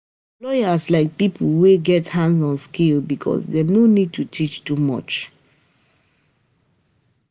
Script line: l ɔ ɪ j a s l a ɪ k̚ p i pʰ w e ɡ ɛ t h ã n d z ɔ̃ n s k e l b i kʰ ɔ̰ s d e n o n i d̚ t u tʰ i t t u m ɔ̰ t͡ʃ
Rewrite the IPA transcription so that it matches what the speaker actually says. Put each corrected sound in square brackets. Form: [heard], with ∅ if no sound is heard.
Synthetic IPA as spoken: l ɔ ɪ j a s l a ɪ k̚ p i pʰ w e ɡ ɛ t h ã n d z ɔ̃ n s k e l b i kʰ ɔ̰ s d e n o n i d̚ t u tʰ i [t͡ʃ] t u m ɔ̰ t͡ʃ